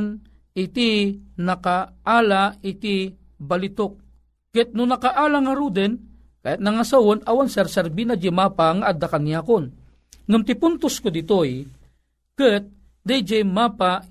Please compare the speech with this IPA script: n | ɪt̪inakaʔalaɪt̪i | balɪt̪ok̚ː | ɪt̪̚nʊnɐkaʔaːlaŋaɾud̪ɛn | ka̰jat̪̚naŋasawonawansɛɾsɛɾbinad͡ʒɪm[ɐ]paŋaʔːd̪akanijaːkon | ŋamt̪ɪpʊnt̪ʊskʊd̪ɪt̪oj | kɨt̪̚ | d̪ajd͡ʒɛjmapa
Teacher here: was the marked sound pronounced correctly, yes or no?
no